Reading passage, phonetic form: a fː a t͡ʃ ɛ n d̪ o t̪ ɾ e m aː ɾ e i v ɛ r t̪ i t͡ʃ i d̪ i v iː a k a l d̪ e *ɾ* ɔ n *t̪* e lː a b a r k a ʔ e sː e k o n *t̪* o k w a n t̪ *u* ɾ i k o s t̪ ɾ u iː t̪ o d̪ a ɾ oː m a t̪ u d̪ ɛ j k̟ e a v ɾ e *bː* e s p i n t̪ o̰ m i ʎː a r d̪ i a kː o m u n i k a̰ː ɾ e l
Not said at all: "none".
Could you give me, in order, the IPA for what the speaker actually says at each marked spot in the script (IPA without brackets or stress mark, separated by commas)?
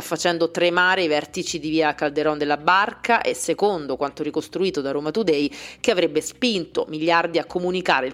ɾ, d̪, d̪, o, bː